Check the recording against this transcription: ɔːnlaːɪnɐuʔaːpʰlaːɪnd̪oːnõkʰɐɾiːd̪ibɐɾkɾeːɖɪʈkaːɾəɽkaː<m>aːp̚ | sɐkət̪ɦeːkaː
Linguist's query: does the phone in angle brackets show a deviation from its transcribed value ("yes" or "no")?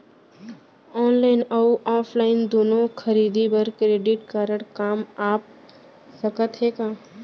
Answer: no